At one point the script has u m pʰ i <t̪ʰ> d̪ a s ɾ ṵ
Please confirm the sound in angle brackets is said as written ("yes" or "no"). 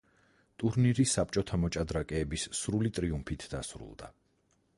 yes